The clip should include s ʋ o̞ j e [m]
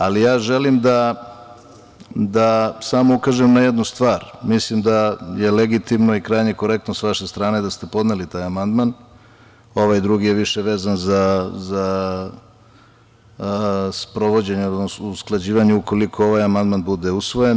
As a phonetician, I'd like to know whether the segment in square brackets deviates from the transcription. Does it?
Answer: yes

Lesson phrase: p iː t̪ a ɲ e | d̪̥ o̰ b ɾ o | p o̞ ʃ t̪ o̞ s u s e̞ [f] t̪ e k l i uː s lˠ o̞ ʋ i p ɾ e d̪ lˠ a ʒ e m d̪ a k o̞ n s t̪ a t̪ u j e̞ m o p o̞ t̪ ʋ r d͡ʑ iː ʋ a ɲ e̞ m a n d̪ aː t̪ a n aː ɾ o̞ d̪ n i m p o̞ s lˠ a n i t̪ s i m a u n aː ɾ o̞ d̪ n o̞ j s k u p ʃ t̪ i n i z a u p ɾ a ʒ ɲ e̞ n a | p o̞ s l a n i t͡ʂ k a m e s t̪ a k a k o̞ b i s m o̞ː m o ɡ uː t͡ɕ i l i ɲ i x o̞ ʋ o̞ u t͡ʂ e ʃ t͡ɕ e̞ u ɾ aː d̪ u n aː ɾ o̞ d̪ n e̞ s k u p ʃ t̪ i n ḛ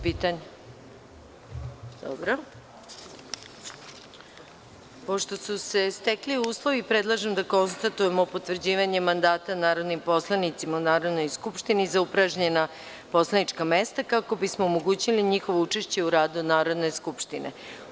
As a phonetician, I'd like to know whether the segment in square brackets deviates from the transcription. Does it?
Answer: yes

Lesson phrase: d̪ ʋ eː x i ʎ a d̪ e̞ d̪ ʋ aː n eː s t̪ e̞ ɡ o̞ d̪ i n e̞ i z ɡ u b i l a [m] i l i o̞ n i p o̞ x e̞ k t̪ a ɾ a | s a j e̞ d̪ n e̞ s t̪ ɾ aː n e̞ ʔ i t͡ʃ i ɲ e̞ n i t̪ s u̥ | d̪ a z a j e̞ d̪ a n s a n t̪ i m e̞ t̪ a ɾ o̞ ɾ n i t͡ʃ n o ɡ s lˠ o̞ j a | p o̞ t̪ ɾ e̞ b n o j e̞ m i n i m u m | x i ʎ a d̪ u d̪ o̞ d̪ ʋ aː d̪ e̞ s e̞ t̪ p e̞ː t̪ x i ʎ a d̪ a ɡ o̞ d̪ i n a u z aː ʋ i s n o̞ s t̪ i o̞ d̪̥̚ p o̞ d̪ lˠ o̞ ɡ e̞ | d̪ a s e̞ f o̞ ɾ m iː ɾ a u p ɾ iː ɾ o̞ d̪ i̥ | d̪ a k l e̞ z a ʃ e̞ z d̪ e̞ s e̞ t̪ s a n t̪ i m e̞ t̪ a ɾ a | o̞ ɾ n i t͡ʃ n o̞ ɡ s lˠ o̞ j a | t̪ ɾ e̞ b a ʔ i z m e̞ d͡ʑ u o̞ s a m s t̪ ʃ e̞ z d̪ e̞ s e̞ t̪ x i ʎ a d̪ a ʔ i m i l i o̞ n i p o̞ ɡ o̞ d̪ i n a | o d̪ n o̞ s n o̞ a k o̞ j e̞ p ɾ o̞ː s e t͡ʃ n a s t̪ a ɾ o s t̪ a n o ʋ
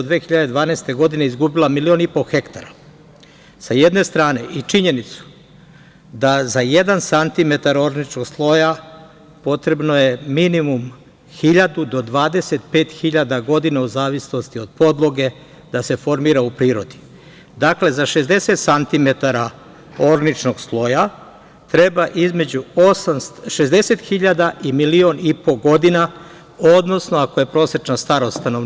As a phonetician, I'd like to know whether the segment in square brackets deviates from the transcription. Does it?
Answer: no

